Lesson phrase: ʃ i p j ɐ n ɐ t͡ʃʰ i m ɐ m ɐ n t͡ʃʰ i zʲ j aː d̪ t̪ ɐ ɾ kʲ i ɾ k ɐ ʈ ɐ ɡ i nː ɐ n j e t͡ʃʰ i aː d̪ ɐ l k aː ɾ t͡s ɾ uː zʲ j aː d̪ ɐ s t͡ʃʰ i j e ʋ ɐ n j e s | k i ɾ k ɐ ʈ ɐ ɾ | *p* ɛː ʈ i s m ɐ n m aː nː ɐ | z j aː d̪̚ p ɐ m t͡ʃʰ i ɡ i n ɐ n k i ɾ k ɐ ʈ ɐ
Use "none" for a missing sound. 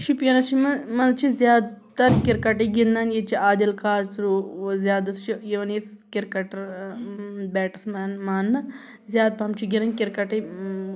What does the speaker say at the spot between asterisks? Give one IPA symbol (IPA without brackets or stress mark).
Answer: b